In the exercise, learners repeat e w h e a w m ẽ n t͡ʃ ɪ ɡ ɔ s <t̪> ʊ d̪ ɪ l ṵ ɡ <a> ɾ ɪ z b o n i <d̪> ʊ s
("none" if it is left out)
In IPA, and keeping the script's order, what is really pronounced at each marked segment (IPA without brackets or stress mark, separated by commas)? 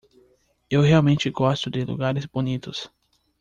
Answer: t̪, a, t̪